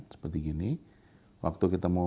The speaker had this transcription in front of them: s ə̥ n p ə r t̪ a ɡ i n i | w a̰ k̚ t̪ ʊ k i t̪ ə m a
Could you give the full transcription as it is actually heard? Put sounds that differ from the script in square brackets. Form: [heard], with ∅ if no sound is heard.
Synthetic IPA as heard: s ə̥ [∅] p ə r t̪ [i] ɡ i n i | w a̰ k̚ t̪ [u] k i t̪ [a] m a

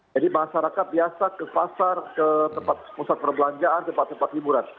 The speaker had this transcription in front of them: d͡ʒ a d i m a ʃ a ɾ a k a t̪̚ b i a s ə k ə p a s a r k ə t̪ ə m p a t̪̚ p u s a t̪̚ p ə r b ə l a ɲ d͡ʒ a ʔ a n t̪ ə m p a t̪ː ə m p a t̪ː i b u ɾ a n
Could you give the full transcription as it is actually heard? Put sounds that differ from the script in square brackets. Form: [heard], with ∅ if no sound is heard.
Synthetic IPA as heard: d͡ʒ a d i m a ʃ a ɾ a k a t̪̚ b i a s [a] k ə p a s a r k ə t̪ ə m p a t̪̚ p u s a t̪̚ p ə r b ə l a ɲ d͡ʒ a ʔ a n t̪ ə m p a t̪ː ə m p a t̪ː i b u ɾ a n

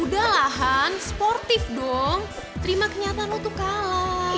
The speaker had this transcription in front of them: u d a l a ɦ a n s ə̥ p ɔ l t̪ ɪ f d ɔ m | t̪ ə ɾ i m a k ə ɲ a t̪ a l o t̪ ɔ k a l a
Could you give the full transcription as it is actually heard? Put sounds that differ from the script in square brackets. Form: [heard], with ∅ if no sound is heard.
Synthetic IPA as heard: u d a l a ɦ a n s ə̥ p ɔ [r] t̪ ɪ f d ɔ [ŋ] | t̪ ə ɾ i m a k ə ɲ a t̪ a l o t̪ [u] k a l a

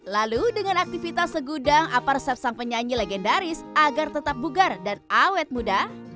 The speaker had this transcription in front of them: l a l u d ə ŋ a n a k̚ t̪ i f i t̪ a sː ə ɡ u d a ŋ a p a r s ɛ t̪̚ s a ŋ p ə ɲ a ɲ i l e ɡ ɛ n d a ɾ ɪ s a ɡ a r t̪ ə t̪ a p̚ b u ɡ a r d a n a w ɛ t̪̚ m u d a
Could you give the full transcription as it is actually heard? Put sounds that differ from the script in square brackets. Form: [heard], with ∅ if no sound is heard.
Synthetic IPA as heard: l a l u d ə ŋ a n a k̚ t̪ i f i t̪ a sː ə ɡ u d a ŋ a p a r s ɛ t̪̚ s a ŋ p ə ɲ a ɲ i l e ɡ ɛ n d a ɾ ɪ s a ɡ a r t̪ ə t̪ a p̚ b u ɡ a r d a n a w ɛ t̪̚ m u d a

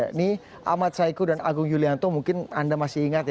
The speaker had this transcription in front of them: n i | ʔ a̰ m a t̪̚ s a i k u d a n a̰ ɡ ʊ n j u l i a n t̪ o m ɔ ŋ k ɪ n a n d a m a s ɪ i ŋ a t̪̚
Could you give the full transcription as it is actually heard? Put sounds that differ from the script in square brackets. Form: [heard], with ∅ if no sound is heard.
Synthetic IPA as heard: n i | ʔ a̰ m a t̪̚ s a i k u d a n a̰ ɡ ʊ [ŋ] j u l i a n t̪ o m [u] ŋ k ɪ n a n d a m a s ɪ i ŋ a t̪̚

